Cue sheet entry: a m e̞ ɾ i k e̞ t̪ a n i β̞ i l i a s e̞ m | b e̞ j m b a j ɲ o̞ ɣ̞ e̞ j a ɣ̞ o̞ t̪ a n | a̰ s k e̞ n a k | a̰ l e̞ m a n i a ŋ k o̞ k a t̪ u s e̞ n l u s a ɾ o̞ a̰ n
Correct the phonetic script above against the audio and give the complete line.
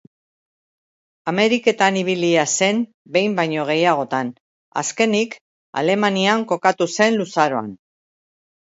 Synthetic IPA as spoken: a m e̞ ɾ i k e̞ t̪ a n i β̞ i l i a s e̞ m | b e̞ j m b a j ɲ o̞ ɣ̞ e̞ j a ɣ̞ o̞ t̪ a n | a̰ s k e̞ n i k | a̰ l e̞ m a n i a ŋ k o̞ k a t̪ u s e̞ n l u s a ɾ o̞ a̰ n